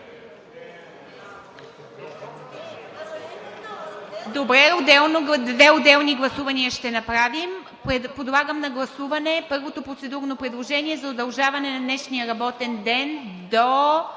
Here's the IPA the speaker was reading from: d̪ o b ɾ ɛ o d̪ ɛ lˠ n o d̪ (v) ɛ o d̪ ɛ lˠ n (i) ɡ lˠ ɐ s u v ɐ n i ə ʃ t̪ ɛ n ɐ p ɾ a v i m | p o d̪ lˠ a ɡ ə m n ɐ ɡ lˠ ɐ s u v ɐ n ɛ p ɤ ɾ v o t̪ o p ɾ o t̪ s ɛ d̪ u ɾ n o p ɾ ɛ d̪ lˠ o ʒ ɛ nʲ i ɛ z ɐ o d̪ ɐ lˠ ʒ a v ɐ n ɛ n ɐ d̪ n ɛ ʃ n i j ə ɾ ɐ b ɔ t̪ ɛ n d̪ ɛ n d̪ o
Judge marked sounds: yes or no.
yes, yes

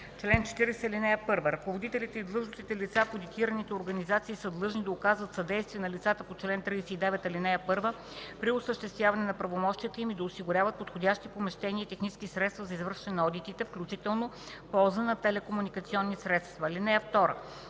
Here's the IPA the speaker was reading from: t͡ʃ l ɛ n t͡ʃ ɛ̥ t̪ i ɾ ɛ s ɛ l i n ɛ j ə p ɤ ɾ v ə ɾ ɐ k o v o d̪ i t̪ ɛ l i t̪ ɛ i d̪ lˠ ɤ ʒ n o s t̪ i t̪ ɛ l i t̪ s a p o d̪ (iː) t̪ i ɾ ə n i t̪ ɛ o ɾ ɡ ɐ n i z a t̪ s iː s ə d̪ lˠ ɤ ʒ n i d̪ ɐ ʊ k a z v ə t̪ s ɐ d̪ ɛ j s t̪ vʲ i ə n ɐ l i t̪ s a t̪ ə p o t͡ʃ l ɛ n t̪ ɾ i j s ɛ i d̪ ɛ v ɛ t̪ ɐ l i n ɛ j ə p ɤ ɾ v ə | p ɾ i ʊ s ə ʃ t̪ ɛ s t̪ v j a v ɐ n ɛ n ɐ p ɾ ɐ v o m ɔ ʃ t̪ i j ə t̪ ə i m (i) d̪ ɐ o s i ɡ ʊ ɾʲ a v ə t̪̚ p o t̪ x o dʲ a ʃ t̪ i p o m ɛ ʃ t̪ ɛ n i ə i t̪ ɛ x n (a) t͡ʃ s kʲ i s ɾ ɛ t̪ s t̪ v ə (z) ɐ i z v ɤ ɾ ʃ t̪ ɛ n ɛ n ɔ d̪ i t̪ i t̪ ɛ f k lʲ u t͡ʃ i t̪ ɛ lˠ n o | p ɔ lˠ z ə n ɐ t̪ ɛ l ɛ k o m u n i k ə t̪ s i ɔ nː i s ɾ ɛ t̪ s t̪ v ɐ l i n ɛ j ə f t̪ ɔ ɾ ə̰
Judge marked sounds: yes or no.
no, yes, no, yes

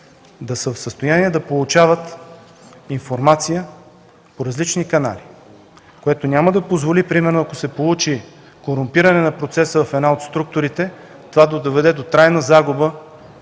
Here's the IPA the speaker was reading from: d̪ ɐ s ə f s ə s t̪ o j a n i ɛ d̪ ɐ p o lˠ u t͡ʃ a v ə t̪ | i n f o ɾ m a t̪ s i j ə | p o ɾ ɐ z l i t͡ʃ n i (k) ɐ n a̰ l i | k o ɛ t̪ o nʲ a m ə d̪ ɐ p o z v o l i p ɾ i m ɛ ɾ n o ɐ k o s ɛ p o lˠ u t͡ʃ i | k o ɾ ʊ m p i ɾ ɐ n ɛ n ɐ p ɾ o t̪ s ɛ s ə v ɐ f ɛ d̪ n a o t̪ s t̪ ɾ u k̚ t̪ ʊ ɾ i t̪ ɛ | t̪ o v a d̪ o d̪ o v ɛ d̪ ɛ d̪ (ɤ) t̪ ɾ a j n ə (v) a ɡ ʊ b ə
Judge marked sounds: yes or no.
yes, no, no

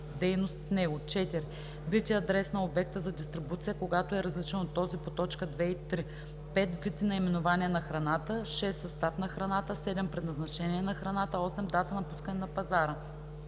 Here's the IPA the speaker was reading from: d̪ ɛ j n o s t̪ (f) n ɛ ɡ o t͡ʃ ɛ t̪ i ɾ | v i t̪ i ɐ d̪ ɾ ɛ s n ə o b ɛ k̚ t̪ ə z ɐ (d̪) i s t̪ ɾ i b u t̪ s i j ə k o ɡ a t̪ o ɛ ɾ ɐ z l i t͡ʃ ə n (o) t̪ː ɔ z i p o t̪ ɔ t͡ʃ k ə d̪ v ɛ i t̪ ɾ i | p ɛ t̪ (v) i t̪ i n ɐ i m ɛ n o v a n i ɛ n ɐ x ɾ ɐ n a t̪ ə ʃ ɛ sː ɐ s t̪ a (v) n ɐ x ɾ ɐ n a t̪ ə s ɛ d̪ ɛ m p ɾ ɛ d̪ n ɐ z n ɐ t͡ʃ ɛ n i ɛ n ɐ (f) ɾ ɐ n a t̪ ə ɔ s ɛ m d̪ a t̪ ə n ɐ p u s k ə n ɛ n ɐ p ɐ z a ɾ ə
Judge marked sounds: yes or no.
yes, yes, yes, yes, no, no

